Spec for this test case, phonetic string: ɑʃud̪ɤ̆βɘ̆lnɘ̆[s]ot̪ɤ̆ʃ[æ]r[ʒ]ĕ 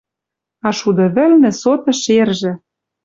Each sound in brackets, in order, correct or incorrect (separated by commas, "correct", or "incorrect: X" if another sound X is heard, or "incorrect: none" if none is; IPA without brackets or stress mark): correct, incorrect: e, correct